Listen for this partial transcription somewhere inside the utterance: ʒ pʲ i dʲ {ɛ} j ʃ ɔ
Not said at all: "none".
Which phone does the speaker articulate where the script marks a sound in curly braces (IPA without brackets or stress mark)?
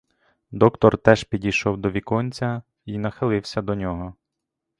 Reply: i